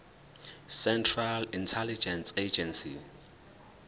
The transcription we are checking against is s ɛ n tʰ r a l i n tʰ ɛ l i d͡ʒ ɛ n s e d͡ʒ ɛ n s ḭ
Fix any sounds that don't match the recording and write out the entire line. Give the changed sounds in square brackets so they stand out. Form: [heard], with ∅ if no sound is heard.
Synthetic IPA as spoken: s ɛ n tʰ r a l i n tʰ ɛ l i d͡ʒ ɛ n s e d͡ʒ ɛ n s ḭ